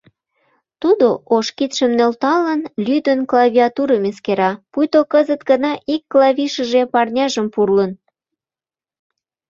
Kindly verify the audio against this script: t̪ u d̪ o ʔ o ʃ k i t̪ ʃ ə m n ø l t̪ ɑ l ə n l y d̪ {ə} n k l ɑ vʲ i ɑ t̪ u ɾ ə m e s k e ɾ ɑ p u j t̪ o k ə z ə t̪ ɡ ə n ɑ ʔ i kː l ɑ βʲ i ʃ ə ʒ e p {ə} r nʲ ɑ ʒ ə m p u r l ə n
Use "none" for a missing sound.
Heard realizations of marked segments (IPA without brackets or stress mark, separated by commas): ə, ɑ